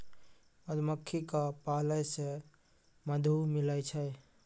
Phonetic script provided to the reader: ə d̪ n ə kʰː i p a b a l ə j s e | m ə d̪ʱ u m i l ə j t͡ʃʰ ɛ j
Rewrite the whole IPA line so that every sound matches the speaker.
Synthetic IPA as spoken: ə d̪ m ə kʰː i k a p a l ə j s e | m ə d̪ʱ u m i l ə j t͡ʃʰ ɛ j

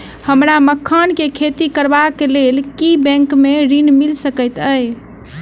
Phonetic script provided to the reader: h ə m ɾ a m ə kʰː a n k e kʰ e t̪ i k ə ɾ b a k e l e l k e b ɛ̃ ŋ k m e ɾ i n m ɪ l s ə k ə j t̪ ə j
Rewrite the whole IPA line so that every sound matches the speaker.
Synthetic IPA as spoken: h ə m ɾ a m ə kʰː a n k e kʰ e t̪ i k ə ɾ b a k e l e l k i b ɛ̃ ŋ k m e ɾ i n m i l s ə k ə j t̪ ə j

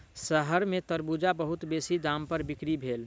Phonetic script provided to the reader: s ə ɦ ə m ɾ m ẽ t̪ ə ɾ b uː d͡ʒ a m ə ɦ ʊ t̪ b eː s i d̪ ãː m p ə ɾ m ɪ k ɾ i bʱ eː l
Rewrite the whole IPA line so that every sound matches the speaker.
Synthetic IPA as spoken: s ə ɦ ə ɾ m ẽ t̪ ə ɾ b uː d͡ʒ a b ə ɦ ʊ t̪ b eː s i d̪ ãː m p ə ɾ b ɪ k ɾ i bʱ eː l

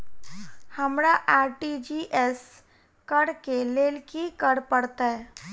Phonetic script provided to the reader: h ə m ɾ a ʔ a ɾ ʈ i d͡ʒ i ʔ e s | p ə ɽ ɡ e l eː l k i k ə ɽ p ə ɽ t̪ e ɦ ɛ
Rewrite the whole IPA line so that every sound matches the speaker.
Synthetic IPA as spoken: h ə m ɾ a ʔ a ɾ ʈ i d͡ʒ i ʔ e s | k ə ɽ k e l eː l k i k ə ɽ p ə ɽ t̪ a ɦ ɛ

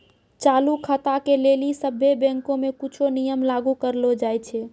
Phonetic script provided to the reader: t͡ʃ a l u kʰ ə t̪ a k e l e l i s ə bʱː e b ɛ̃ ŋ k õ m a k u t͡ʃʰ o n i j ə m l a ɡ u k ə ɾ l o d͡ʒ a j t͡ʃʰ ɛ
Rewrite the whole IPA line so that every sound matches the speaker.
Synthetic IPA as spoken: t͡ʃ a l u kʰ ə t̪ a k e l e l i s ə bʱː e b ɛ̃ ŋ k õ m e k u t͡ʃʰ o n i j ə m l a ɡ u k ə ɾ l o d͡ʒ a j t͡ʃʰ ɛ

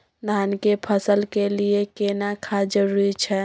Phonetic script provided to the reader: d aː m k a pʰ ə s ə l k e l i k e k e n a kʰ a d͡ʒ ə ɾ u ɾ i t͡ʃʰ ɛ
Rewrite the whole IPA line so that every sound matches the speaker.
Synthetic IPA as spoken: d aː n k e pʰ ə s ə l k e l i e k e n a kʰ a d͡ʒ ə ɾ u ɾ i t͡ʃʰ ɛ

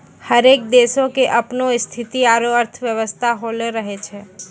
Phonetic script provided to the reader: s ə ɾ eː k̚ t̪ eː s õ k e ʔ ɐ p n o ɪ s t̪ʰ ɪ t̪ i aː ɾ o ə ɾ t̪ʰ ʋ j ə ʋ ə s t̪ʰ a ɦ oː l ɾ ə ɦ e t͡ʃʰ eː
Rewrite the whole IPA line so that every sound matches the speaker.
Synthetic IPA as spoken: h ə ɾ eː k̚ d̪ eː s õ k e ʔ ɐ p n o ɪ s t̪ʰ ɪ t̪ i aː ɾ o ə ɾ t̪ʰ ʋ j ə ʋ ə s t̪ʰ a ɦ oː l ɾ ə ɦ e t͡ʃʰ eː

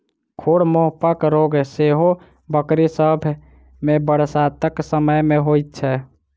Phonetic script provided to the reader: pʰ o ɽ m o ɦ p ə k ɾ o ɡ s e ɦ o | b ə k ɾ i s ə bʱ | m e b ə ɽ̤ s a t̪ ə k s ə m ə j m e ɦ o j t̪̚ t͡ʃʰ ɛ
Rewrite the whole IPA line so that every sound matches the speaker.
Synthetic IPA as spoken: kʰ o ɽ m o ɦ p ə k ɾ o ɡ s e ɦ o | b ə k ɾ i s ə bʱ | m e b ə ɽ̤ s a t̪ ə k s ə m ə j m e ɦ o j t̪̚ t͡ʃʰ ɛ

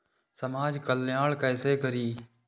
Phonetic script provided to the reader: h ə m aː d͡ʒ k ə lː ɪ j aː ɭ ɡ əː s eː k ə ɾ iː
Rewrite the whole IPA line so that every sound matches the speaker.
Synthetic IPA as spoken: s ə m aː d͡ʒ k ə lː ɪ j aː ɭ k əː s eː k ə ɾ iː

